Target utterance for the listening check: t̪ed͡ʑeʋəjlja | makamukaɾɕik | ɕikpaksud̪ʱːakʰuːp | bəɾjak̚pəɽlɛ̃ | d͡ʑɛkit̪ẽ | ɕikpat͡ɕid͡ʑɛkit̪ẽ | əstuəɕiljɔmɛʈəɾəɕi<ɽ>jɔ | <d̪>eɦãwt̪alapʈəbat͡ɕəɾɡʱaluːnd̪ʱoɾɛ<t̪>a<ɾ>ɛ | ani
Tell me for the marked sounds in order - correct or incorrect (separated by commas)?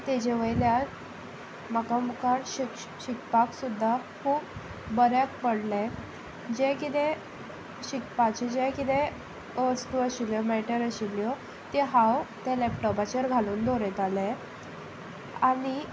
incorrect, incorrect, correct, incorrect